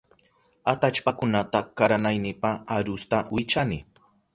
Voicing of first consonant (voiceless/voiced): voiceless